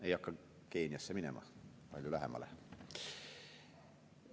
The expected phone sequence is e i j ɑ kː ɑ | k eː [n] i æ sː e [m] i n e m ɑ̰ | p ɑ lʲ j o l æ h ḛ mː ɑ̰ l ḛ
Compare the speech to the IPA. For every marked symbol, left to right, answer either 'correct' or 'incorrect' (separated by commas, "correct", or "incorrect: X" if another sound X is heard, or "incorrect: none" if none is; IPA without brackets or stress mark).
correct, correct